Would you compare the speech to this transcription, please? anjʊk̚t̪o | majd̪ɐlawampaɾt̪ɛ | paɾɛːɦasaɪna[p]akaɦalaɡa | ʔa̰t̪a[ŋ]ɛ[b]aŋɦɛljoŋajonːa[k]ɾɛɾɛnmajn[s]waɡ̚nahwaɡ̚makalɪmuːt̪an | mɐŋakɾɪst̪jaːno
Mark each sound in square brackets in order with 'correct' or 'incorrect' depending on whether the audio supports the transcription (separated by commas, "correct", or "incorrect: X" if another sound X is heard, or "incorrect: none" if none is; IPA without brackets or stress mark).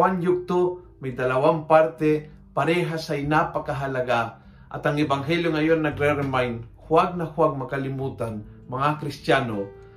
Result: correct, correct, correct, incorrect: ɡ, incorrect: h